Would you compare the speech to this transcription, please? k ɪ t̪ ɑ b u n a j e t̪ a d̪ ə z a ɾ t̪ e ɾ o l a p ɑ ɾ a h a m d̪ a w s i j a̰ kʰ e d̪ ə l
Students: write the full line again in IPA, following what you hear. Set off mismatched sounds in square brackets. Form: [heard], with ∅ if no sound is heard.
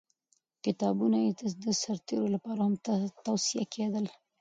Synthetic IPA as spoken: k ɪ t̪ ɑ b u n a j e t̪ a d̪ ə [s] a ɾ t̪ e ɾ o l a p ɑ ɾ a h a m [t̪] a w s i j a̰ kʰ e d̪ ə l